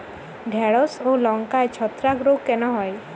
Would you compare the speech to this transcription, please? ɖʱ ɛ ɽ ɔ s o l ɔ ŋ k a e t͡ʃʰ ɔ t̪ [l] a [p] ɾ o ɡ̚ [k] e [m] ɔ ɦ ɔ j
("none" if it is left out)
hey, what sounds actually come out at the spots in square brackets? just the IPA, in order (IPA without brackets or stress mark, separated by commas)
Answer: ɾ, k, k, n